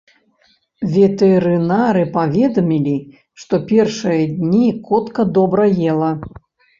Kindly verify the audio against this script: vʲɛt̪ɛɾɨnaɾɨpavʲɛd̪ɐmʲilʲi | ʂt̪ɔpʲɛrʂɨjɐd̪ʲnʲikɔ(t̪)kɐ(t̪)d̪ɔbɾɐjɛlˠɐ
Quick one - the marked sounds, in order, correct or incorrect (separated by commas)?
correct, incorrect